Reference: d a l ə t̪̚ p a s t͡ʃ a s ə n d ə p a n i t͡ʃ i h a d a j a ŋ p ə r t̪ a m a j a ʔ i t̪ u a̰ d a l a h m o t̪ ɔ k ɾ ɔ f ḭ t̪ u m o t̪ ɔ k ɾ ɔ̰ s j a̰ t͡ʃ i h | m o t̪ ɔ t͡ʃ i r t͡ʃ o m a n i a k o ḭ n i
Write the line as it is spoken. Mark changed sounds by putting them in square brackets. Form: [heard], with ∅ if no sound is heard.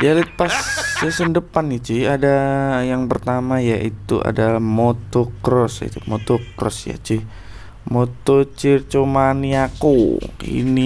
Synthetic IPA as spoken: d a l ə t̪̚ p a s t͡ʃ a s ə n d ə p a n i t͡ʃ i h a d a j a ŋ p ə r t̪ a m a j a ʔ i t̪ u a̰ d a l a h m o t̪ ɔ k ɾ ɔ [s] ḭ t̪ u m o t̪ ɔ k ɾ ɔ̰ s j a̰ t͡ʃ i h | m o t̪ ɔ t͡ʃ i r t͡ʃ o m a n i a k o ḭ n i